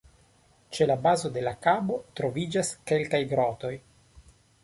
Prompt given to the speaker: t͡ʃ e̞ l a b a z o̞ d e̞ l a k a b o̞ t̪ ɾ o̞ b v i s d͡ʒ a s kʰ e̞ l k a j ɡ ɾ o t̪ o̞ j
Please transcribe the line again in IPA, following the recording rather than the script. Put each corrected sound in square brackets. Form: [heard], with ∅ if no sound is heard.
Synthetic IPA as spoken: t͡ʃ e̞ l a b a z o̞ d e̞ l a k a b o̞ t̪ ɾ o̞ [∅] v i [∅] d͡ʒ a s [k] e̞ l k a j ɡ ɾ o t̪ o̞ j